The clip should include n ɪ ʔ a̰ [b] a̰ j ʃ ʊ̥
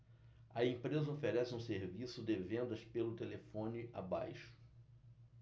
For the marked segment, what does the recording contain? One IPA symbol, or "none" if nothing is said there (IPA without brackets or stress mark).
b